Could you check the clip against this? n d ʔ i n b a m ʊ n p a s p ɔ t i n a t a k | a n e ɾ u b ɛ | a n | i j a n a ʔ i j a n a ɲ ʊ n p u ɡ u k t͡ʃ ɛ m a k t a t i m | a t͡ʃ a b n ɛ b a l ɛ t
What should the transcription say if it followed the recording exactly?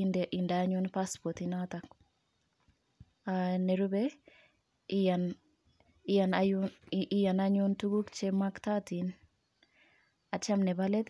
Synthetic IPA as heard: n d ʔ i n d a ɲ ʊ n p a s p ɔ t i n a t a k | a n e ɾ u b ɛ | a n | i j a n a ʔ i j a n a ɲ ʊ n t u ɡ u k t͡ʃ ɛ m a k t a t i n | a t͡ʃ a m n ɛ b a l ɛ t